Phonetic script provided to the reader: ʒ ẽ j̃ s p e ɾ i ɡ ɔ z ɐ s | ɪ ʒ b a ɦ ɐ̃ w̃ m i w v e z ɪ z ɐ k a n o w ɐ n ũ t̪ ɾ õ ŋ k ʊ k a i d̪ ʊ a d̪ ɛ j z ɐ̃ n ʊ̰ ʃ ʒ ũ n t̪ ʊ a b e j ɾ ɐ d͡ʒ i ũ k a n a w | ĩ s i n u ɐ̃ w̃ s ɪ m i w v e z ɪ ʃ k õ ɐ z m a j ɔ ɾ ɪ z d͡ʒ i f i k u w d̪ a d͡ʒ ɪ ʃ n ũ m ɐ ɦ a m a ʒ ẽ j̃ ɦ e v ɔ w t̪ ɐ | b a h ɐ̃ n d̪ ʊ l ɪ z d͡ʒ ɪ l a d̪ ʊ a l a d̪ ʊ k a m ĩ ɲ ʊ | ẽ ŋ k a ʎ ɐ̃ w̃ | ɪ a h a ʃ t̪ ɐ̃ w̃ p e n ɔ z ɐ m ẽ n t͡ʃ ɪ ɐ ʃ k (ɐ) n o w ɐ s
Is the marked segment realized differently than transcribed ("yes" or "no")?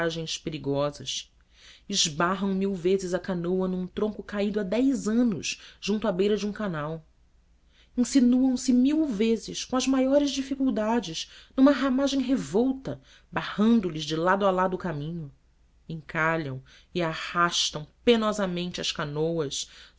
yes